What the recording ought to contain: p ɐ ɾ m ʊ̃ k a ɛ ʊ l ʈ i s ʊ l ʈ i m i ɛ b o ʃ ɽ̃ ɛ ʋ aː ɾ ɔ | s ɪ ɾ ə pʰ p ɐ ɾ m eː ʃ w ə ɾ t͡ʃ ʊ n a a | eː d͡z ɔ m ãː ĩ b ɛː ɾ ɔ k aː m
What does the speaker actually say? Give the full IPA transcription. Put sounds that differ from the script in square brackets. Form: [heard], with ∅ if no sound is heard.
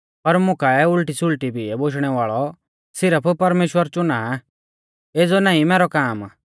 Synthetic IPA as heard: p ɐ ɾ m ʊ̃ k a ɛ ʊ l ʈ i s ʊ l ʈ i [b] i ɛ b o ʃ ɽ̃ ɛ ʋ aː [ɭ] ɔ | s ɪ ɾ ə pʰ p ɐ ɾ m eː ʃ w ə ɾ t͡ʃ ʊ n a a | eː d͡z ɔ [n] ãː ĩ [m] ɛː ɾ ɔ k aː m

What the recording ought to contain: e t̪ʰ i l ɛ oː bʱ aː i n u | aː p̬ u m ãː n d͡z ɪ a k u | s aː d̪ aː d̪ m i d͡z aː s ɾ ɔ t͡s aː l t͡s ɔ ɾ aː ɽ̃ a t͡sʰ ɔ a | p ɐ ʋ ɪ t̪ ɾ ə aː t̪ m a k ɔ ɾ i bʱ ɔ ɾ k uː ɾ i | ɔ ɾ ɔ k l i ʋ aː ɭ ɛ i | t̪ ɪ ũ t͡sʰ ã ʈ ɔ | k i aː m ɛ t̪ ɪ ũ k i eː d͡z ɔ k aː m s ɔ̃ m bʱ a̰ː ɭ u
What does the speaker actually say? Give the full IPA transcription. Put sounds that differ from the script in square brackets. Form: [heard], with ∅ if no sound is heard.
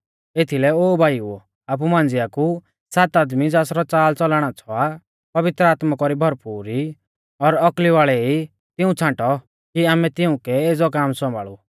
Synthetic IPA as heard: e t̪ʰ i l ɛ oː bʱ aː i [∅] u | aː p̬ u m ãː n d͡z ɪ a k u | s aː [t̪] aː d̪ m i d͡z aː s ɾ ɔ t͡s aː l t͡s ɔ [l] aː ɽ̃ a t͡sʰ ɔ a | p ɐ ʋ ɪ t̪ ɾ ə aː t̪ m a k ɔ ɾ i bʱ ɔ ɾ [p] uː ɾ i | ɔ ɾ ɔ k l i ʋ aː ɭ ɛ i | t̪ ɪ ũ t͡sʰ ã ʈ ɔ | k i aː m ɛ t̪ ɪ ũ k [ɛ] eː d͡z ɔ k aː m s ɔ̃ m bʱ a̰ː ɭ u

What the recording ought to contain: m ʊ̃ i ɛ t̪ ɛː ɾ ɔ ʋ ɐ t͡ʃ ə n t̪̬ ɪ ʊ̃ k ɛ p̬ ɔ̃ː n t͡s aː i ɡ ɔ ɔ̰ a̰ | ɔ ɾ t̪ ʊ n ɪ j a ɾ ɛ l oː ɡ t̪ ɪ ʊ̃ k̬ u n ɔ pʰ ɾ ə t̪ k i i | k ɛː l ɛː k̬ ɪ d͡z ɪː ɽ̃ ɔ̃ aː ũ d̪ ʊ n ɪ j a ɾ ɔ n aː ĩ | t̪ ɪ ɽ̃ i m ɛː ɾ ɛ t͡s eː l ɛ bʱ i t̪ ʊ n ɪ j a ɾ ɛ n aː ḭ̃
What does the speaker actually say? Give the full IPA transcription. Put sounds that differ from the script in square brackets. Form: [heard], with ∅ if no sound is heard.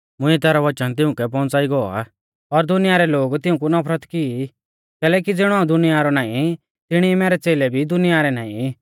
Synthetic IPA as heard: m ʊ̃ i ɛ t̪ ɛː ɾ ɔ ʋ ɐ t͡ʃ ə n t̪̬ ɪ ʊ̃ k ɛ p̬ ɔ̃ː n t͡s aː i ɡ ɔ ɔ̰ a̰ | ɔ ɾ [d̪] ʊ n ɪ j a ɾ ɛ l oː ɡ t̪ ɪ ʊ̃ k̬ u n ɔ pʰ ɾ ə t̪ k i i | k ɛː l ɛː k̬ [i] d͡z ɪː ɽ̃ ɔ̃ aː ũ d̪ ʊ n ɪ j a ɾ ɔ n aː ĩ | t̪ ɪ ɽ̃ i m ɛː ɾ ɛ t͡s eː l ɛ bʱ i [d̪] ʊ n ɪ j a ɾ ɛ n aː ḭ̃

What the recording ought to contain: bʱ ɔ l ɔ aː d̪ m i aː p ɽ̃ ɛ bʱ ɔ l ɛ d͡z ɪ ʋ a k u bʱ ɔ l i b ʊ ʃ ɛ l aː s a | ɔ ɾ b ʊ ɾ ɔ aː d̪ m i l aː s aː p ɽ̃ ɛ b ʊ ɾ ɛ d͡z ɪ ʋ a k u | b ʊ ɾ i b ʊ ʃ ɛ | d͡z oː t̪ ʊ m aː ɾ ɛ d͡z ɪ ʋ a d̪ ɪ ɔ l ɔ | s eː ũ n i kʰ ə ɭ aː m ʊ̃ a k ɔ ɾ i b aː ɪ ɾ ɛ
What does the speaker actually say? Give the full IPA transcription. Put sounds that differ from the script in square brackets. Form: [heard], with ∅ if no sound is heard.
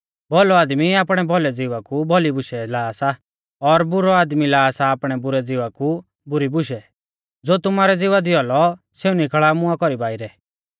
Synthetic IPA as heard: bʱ ɔ l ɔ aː d̪ m i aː p ɽ̃ ɛ bʱ ɔ l ɛ d͡z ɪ ʋ a k u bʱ ɔ l i b ʊ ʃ ɛ l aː s a | ɔ ɾ b ʊ ɾ ɔ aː d̪ m i l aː s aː p ɽ̃ ɛ b ʊ ɾ ɛ d͡z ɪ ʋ a k u | b ʊ ɾ i b ʊ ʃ ɛ | d͡z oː t̪ ʊ m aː ɾ ɛ d͡z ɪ ʋ a d̪ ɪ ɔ l ɔ | s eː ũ n i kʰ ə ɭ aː m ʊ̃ a k ɔ ɾ i b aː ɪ ɾ ɛ

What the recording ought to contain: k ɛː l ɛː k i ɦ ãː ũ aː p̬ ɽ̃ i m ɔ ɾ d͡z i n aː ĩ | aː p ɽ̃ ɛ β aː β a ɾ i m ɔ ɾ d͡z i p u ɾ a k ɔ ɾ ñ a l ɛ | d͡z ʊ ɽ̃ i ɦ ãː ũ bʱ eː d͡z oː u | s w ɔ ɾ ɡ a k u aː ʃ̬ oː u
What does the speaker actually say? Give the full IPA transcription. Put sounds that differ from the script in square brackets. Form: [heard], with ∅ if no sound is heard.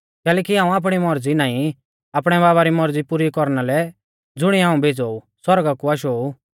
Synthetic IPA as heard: k ɛː l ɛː k i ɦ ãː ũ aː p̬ ɽ̃ i m ɔ ɾ d͡z i n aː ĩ | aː p ɽ̃ ɛ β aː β a ɾ i m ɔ ɾ d͡z i p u ɾ [i] k ɔ ɾ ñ a l ɛ | d͡z ʊ ɽ̃ i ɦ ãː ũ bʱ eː d͡z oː u | s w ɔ ɾ ɡ a k u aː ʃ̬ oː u

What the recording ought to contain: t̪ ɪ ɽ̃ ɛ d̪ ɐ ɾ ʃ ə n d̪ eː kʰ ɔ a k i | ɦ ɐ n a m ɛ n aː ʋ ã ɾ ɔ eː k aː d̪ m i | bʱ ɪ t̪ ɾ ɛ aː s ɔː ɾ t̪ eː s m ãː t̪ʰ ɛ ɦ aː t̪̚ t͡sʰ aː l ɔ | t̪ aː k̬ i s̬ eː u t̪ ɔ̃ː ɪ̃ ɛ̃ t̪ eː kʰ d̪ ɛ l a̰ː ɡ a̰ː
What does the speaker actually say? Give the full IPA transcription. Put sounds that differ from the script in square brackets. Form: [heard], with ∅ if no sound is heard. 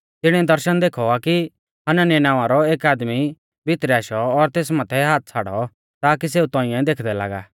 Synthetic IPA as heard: t̪ ɪ ɽ̃ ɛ d̪ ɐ ɾ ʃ ə n d̪ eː kʰ ɔ a k i | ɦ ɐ n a [n] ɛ n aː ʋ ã ɾ ɔ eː k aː d̪ m i | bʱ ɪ t̪ ɾ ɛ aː [ʃ] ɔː ɾ t̪ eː s m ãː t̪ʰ ɛ ɦ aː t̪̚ t͡sʰ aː [ɽ] ɔ | t̪ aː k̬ i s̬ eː u t̪ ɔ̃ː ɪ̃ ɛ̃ [d̪] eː kʰ d̪ ɛ l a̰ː ɡ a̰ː

